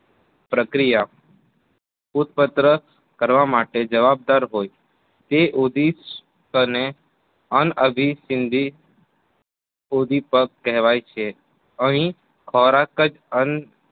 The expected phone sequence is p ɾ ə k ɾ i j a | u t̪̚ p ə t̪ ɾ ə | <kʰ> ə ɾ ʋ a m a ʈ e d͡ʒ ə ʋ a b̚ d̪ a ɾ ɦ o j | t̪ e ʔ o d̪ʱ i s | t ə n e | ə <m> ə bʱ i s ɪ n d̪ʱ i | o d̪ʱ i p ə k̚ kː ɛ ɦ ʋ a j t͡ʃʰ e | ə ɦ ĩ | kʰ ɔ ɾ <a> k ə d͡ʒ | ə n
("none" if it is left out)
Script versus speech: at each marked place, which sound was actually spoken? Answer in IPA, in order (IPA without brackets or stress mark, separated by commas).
k, n, a